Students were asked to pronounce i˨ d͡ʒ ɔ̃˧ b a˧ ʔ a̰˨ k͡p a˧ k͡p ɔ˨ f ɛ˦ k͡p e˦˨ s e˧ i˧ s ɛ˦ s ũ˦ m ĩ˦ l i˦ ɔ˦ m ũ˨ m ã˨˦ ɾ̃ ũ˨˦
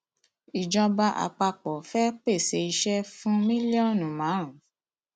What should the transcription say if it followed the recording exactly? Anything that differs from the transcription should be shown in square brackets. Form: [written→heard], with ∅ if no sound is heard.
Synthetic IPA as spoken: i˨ d͡ʒ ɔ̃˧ b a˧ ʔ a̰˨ k͡p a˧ k͡p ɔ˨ f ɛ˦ k͡p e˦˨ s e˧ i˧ [s→ʃ] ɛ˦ [s→f] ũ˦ m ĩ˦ l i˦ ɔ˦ [m→n] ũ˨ m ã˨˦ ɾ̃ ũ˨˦